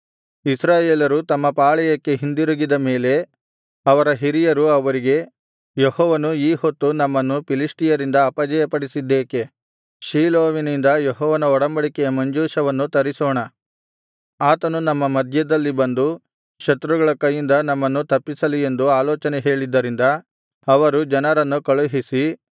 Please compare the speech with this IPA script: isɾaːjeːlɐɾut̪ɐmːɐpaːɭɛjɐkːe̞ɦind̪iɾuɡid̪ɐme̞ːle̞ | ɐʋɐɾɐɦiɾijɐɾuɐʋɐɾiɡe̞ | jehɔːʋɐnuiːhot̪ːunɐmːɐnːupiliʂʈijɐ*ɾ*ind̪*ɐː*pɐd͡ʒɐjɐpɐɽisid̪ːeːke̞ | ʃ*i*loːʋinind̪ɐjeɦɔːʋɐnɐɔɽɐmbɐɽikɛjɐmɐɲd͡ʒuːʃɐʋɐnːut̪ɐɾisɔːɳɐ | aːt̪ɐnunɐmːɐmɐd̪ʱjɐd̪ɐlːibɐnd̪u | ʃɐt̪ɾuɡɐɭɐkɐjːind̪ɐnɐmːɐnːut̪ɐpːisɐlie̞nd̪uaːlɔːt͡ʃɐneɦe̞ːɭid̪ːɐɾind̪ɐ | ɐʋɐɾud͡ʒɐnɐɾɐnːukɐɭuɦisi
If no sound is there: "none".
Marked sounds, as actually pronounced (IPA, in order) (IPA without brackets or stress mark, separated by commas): ɾ, ɐː, iː